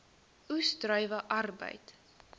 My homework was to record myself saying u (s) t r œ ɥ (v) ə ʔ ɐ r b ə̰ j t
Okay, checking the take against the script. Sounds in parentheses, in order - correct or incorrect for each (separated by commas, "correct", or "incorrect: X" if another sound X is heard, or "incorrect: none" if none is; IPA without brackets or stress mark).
correct, correct